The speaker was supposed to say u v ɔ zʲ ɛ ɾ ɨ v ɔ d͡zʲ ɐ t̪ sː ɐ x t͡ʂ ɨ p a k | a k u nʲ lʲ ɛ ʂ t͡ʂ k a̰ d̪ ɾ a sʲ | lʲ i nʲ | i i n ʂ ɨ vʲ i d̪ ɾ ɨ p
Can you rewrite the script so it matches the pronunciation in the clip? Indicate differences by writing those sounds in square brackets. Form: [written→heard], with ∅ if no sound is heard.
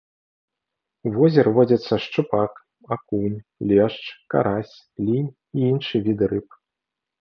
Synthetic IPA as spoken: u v ɔ zʲ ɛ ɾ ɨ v ɔ d͡zʲ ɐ t̪ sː ɐ [x→ʂ] t͡ʂ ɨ p a k | a k u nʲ lʲ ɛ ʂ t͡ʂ k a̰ [d̪→∅] ɾ a sʲ | lʲ i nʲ | i i n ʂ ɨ vʲ i d̪ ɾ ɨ p